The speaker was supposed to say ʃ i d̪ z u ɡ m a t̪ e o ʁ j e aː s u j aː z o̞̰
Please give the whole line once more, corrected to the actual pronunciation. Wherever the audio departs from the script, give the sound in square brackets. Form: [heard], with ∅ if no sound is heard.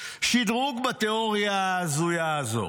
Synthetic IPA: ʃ i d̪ [ʁ] u ɡ [b] a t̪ e o ʁ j [a] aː [z] u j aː z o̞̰